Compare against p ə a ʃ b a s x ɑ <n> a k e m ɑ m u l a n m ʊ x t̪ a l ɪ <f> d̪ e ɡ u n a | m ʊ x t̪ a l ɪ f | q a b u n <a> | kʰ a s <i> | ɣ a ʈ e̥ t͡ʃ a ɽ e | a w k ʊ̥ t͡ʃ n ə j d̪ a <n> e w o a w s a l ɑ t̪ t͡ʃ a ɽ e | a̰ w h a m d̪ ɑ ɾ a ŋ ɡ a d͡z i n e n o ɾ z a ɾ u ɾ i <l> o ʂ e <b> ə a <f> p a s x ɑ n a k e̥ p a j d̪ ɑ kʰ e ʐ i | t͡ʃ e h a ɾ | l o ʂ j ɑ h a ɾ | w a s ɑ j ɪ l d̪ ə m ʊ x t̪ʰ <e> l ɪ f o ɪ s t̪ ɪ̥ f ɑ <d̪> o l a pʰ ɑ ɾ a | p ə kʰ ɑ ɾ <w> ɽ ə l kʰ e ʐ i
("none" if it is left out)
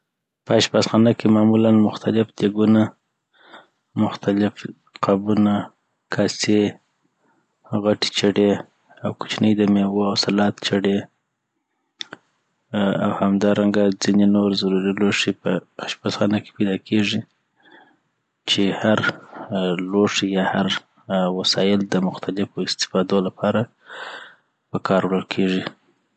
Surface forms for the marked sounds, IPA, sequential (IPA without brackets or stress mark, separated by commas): n, f, a, e, m, l, p, ʃ, a, d̪, w